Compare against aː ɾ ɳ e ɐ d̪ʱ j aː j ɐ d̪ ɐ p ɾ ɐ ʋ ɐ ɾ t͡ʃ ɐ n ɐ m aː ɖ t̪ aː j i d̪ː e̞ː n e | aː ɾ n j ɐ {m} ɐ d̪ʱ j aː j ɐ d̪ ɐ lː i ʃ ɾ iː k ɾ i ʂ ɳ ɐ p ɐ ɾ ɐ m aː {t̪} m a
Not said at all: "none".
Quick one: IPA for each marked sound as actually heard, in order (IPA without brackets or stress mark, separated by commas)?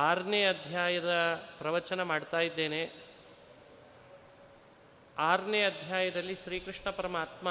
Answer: none, t̪